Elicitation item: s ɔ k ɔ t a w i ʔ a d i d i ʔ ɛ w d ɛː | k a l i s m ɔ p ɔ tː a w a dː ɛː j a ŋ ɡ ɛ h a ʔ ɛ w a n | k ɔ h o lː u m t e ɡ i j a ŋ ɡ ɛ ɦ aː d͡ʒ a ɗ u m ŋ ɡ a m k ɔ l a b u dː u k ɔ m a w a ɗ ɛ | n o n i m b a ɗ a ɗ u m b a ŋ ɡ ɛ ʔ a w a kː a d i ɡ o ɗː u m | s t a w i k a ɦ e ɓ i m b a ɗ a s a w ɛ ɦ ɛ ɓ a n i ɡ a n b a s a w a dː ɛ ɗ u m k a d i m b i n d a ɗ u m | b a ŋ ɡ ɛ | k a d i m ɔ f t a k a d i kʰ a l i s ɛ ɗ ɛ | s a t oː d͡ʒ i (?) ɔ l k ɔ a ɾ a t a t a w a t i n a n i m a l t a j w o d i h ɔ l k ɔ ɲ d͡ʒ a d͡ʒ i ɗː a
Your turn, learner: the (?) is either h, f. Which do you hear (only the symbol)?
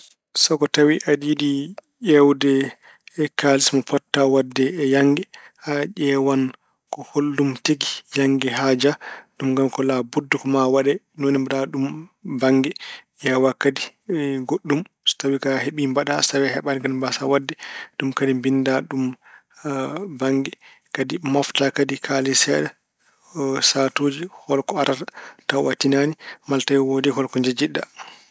h